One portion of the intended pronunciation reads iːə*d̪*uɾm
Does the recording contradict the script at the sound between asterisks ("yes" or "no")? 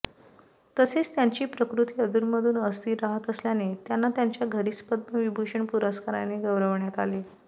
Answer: no